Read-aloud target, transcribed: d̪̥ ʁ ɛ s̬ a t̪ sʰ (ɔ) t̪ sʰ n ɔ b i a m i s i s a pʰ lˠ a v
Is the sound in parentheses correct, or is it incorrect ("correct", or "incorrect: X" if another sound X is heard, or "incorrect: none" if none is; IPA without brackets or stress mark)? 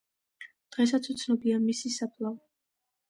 incorrect: u